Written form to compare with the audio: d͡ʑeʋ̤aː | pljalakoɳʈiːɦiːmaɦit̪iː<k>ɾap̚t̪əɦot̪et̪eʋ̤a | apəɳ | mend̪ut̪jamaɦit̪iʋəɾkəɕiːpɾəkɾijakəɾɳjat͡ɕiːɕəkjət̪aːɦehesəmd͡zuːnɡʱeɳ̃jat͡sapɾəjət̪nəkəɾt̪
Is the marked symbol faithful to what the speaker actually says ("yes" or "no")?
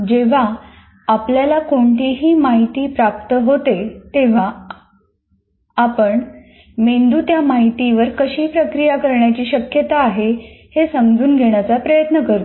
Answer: no